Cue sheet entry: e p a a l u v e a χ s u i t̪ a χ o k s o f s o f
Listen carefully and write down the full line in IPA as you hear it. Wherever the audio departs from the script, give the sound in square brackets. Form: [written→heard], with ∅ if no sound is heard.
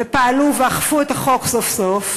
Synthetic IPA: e p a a l u v e a χ [s→f] u [i→e] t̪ a χ o k s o f s o f